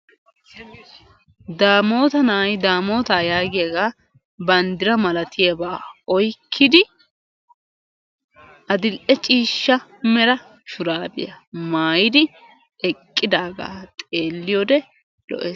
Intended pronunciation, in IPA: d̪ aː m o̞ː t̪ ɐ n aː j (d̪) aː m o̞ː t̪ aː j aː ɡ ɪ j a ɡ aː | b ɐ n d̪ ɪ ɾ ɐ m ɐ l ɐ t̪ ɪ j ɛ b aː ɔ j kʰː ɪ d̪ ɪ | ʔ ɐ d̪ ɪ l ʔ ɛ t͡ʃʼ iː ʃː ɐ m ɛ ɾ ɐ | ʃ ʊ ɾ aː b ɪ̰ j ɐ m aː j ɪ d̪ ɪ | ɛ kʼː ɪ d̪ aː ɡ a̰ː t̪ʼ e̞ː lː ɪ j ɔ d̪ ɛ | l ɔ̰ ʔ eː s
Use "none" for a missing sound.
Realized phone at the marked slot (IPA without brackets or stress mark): d̪